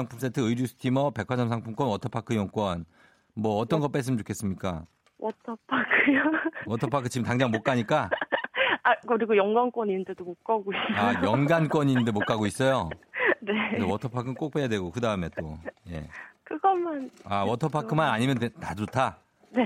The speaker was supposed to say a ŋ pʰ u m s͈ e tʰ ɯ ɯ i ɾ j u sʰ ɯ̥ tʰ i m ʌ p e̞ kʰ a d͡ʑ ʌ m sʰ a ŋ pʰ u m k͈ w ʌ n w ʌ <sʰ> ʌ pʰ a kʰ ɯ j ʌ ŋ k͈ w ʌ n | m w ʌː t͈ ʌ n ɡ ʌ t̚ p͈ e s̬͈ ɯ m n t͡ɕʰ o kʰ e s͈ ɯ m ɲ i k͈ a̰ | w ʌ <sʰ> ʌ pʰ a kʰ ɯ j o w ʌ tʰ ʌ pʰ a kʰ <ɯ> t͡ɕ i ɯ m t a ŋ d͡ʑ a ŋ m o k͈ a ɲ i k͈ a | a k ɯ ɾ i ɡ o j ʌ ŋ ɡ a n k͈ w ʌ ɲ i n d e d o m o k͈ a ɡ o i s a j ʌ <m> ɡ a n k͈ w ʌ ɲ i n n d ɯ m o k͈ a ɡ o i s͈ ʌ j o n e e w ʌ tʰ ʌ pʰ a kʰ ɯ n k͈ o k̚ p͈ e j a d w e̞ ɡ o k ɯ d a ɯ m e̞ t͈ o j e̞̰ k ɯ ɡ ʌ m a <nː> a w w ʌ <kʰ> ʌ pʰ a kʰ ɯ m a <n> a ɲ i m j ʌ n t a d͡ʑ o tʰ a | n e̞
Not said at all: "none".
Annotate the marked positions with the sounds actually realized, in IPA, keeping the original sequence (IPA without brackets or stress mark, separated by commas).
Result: tʰ, tʰ, ɯ, ŋ, n, tʰ, n